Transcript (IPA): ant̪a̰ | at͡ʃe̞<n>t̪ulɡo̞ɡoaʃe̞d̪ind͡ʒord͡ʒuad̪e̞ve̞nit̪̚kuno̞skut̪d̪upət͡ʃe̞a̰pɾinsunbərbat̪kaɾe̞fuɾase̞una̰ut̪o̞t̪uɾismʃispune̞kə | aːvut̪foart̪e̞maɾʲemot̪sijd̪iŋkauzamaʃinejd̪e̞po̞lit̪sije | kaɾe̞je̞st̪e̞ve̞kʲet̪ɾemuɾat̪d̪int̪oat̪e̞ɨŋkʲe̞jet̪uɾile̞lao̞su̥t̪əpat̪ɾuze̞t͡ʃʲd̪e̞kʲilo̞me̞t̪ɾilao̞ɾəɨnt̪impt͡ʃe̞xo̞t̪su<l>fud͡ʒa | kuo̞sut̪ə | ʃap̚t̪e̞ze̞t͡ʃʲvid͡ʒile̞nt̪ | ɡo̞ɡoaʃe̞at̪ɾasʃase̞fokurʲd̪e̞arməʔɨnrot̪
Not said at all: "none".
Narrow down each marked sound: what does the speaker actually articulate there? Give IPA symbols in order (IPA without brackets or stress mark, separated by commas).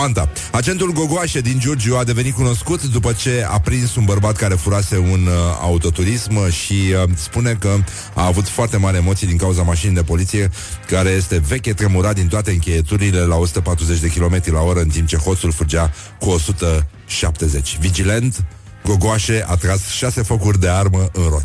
n, l